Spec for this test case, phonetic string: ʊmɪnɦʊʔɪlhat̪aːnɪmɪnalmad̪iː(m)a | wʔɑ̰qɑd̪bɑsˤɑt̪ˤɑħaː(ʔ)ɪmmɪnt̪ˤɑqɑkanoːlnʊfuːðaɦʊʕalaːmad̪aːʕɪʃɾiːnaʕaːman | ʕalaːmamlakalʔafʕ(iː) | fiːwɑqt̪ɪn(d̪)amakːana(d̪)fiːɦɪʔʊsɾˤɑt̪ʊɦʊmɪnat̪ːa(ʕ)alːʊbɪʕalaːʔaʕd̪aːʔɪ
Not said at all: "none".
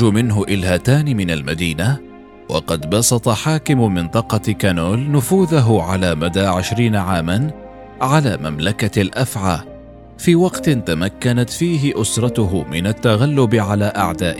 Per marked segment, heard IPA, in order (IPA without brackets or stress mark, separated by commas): n, k, aː, t̪, t̪, ɣ